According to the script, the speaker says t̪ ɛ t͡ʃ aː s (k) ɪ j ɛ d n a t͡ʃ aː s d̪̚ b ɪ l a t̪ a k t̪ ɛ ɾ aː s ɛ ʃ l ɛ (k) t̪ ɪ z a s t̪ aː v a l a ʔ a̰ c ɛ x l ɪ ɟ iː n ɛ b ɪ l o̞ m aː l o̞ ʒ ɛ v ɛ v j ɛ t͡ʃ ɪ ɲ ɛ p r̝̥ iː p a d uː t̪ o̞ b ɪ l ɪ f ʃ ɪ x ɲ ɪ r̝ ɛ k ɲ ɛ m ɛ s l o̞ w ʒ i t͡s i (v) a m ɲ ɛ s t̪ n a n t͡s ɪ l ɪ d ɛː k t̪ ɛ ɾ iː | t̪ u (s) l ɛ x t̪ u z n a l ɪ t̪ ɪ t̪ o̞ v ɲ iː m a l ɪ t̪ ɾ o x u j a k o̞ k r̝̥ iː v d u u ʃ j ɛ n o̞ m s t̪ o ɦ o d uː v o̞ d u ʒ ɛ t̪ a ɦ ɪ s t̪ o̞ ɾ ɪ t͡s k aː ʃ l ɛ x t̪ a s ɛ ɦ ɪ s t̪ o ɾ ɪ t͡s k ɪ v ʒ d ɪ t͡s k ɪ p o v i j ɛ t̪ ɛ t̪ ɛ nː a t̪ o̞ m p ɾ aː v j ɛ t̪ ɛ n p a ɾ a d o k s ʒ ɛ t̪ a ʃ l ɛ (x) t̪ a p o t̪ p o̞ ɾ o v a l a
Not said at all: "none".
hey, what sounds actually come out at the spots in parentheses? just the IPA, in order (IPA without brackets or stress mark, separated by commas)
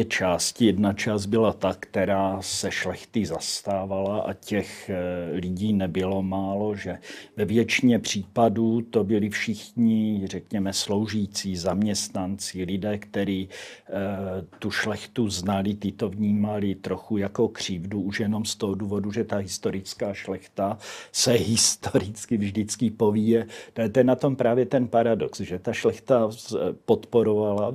c, x, z, ʃ, x